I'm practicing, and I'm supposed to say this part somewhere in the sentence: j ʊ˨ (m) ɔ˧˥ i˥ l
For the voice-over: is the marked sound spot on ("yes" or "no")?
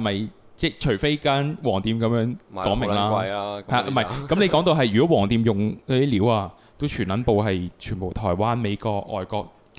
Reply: no